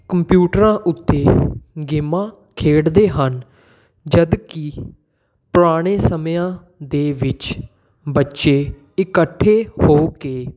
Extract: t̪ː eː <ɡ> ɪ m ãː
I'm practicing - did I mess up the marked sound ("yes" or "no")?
no